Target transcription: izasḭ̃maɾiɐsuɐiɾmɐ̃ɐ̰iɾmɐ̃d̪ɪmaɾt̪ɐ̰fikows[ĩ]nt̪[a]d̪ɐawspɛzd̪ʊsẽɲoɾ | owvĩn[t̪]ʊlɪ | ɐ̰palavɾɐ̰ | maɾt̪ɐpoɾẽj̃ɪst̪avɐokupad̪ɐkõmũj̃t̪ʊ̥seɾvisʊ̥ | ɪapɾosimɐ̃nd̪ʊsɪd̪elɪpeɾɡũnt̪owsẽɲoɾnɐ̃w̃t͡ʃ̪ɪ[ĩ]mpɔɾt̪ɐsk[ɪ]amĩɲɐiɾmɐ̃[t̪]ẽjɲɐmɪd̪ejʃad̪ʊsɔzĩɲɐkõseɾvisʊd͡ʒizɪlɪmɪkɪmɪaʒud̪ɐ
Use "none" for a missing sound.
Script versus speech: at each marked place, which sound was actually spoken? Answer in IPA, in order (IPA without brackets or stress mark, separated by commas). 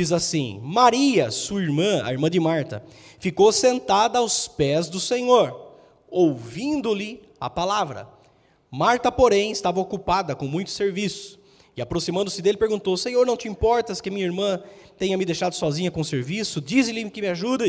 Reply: ẽ, a, d̪, ĩ, ɪ, t̪